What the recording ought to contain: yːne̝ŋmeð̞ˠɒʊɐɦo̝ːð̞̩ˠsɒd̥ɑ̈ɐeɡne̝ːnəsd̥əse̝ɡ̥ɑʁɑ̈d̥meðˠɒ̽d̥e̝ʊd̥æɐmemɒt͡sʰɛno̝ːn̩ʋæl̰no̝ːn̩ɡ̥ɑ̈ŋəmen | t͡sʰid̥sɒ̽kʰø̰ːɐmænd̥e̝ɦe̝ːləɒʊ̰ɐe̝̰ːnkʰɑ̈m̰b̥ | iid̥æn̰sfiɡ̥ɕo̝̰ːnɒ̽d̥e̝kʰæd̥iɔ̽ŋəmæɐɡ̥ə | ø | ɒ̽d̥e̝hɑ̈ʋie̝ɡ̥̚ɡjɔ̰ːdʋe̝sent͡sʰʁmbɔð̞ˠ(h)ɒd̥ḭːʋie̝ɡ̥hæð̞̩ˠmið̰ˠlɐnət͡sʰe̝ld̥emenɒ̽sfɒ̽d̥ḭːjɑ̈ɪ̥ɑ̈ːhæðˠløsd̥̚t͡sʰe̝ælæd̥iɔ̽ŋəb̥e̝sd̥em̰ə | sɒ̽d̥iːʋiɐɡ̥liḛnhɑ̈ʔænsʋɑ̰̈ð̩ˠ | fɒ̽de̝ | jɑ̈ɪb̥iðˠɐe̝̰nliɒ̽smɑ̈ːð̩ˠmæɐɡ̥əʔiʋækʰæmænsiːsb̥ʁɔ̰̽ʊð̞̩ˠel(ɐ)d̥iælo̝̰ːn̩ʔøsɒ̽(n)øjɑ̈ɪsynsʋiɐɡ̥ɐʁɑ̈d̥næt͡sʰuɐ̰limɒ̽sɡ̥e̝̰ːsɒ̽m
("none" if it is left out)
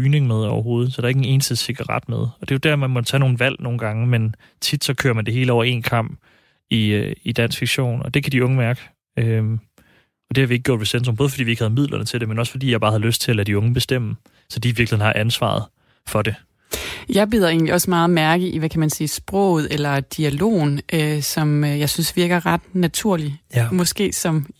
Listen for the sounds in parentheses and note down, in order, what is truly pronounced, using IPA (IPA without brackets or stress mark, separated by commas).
f, ɐ, m